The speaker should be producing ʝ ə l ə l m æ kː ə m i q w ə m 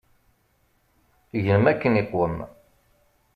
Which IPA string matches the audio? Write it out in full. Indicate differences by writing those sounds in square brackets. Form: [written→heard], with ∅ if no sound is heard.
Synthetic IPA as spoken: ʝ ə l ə [l→∅] m æ kː ə [m→n] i q w ə m